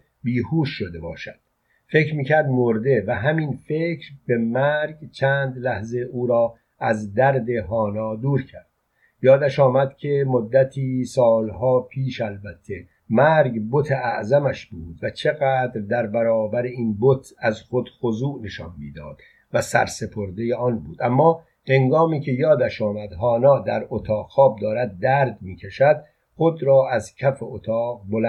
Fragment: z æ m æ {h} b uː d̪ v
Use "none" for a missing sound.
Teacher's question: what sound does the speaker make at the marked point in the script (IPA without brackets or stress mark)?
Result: ʃ